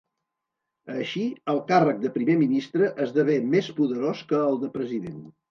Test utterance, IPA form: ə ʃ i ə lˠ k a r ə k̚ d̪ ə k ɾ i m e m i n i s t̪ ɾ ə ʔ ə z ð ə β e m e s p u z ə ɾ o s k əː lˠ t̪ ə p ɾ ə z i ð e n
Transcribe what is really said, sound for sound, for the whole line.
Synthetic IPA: ə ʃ i ə lˠ k a r ə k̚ d̪ ə p ɾ i m e m i n i s t̪ ɾ ə ʔ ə z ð ə β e m e s p u ð ə ɾ o s k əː lˠ d̪ ə p ɾ ə z i ð e n